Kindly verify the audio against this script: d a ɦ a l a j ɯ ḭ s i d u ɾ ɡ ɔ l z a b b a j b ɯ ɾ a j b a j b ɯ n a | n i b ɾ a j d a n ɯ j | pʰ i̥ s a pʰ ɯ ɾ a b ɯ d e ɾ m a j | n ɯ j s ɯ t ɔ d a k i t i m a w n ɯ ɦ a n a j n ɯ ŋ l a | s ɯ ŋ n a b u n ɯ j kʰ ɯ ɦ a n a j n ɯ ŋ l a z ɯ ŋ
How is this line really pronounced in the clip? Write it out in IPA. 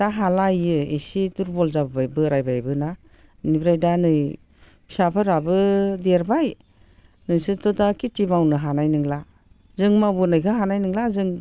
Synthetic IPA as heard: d a ɦ a l a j ɯ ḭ s i d u ɾ b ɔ l z a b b a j b ɯ ɾ a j b a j b ɯ n a | n i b ɾ a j d a n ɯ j | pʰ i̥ s a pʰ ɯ ɾ a b ɯ d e ɾ b a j | n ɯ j s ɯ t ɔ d a k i t i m a w n ɯ ɦ a n a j n ɯ ŋ l a | z ɯ ŋ m a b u n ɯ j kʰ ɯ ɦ a n a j n ɯ ŋ l a z ɯ ŋ